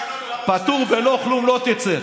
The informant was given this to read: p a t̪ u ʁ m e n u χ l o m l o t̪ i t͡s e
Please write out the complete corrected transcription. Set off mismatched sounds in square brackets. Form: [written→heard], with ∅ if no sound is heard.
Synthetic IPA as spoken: p a t̪ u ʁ [m→b] e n [u→o] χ l [o→u] m l o t̪ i t͡s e